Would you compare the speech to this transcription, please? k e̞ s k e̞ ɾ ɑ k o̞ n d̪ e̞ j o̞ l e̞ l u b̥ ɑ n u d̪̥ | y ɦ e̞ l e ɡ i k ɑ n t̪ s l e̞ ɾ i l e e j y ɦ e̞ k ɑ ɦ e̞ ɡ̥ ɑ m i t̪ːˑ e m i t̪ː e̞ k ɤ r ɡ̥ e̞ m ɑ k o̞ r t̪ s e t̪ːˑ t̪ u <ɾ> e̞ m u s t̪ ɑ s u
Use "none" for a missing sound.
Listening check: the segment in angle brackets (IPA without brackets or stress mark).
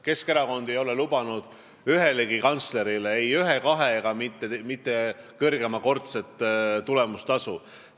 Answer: l